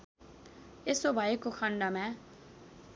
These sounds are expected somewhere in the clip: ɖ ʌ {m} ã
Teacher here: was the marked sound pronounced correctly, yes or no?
yes